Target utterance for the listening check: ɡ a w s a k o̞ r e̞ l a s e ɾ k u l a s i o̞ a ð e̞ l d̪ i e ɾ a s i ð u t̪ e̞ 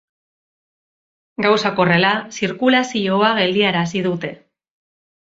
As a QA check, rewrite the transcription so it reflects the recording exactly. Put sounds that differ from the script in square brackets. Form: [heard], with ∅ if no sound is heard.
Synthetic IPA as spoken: ɡ a w s a k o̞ r e̞ l a s [i] ɾ k u l a s i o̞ a [ɣ] e̞ l d̪ i [a] ɾ a s i ð u t̪ e̞